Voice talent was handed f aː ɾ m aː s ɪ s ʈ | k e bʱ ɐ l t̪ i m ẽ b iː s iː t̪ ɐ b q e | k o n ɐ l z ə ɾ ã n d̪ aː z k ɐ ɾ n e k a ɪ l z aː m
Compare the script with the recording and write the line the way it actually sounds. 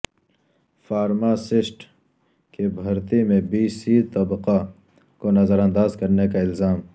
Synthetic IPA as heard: f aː ɾ m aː s ɪ s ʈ | k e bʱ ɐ ɾ t̪ i m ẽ b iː s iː t̪ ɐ b q a | k o n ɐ z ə ɾ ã n d̪ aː z k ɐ ɾ n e k a ɪ l z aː m